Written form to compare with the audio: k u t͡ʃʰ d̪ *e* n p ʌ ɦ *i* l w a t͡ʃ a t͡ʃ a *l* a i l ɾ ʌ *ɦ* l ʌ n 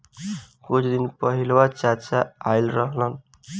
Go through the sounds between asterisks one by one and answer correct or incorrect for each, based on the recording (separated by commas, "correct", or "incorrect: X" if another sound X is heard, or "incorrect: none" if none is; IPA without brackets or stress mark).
incorrect: i, correct, incorrect: none, correct